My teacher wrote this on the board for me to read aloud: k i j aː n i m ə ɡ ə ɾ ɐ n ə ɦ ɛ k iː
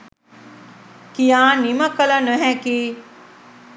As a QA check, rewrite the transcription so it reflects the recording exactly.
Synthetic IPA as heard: k i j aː n i m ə k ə l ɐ n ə ɦ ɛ k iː